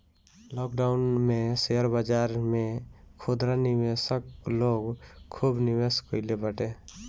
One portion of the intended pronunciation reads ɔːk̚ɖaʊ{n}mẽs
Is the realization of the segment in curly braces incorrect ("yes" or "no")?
no